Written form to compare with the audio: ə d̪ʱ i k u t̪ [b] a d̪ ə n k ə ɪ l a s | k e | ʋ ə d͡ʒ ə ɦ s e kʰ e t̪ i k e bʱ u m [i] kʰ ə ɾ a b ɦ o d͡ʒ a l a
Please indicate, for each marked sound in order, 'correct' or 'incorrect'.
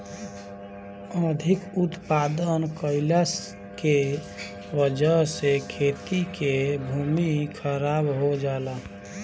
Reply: incorrect: p, correct

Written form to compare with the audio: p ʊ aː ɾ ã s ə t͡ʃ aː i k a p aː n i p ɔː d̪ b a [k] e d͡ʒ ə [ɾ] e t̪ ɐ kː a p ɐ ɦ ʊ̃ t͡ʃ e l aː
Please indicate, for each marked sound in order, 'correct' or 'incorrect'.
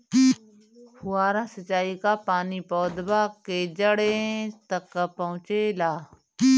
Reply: correct, incorrect: ɽ

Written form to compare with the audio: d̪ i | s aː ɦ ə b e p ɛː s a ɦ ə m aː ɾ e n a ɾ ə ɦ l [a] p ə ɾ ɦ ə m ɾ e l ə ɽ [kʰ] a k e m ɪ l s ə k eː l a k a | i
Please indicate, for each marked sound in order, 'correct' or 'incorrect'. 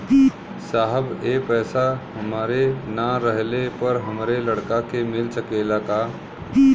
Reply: incorrect: e, incorrect: k

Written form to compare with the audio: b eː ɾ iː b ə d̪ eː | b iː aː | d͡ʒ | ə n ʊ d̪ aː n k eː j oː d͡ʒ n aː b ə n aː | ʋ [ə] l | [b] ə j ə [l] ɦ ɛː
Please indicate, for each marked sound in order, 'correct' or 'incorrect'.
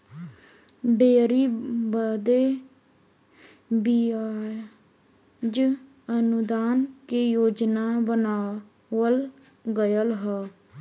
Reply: correct, incorrect: ɡ, correct

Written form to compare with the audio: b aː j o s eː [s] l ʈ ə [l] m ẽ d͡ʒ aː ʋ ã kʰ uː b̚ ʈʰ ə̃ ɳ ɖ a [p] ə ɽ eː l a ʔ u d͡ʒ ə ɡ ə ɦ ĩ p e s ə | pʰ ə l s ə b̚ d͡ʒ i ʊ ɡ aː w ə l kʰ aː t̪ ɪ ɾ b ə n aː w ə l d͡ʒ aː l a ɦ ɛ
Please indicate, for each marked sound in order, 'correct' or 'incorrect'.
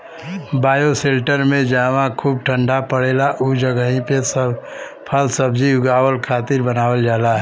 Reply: incorrect: none, incorrect: ɾ, correct

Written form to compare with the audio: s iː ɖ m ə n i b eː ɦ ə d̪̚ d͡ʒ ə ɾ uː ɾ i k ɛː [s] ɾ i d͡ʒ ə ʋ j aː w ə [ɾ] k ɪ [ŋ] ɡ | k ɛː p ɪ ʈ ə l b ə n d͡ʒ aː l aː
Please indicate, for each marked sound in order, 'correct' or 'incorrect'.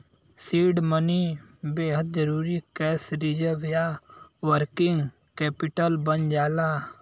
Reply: correct, correct, correct

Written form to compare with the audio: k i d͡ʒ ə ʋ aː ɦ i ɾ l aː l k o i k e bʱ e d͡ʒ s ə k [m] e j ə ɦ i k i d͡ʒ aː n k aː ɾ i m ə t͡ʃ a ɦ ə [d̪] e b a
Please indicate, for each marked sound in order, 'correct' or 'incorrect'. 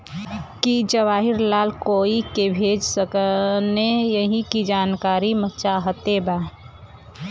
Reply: incorrect: n, incorrect: t̪

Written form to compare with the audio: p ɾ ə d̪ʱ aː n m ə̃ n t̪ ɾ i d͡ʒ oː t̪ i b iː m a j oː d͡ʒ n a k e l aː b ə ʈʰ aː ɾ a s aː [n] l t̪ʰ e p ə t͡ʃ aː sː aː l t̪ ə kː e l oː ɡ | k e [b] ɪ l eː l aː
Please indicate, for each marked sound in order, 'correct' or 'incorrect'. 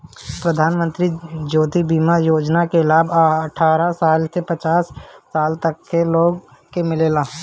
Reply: incorrect: none, incorrect: m

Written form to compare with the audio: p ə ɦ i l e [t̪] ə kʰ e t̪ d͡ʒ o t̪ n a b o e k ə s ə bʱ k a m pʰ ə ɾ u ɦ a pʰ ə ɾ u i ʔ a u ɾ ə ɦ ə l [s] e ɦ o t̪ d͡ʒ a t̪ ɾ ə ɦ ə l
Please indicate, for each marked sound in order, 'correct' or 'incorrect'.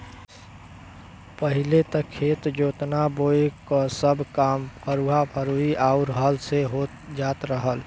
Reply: correct, correct

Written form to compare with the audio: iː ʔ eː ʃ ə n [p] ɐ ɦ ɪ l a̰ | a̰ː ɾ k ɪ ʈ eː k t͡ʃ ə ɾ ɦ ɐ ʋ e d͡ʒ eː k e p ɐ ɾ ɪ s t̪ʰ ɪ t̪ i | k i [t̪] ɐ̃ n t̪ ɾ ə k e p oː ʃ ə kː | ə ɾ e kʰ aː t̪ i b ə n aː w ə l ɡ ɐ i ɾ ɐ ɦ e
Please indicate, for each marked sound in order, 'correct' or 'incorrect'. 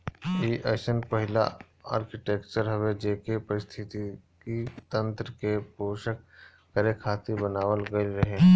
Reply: correct, correct

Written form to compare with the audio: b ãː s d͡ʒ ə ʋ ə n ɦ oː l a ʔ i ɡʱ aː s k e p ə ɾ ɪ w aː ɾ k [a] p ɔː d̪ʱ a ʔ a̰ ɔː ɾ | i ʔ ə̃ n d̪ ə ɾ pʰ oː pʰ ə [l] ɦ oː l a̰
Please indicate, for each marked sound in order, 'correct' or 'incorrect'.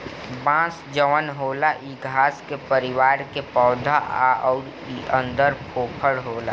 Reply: incorrect: e, incorrect: ɽ

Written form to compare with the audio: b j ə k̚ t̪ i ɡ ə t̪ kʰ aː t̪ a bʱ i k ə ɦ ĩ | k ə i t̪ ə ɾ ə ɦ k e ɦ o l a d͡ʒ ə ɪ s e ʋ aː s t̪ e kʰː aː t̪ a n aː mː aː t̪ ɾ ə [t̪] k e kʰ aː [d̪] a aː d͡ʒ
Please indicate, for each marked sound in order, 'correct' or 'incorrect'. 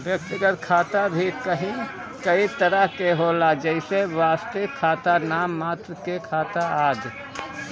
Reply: incorrect: none, incorrect: t̪

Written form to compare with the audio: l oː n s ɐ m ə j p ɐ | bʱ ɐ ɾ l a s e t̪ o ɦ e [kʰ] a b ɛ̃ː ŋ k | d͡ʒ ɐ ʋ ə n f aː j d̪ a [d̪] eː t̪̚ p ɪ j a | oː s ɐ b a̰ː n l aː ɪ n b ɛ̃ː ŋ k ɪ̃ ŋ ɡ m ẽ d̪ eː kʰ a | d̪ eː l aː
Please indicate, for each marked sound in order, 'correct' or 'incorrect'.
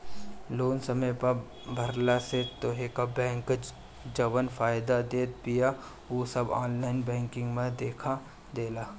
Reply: incorrect: k, correct

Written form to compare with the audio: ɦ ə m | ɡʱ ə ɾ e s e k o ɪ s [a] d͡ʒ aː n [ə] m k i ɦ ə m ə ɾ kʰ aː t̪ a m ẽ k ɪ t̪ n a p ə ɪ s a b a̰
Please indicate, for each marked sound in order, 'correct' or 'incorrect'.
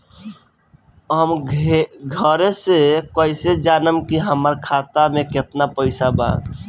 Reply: incorrect: e, correct

